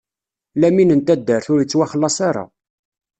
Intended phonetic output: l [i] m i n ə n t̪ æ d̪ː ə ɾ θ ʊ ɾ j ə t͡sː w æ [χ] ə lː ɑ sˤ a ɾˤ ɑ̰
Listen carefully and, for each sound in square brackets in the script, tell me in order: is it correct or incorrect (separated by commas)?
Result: incorrect, correct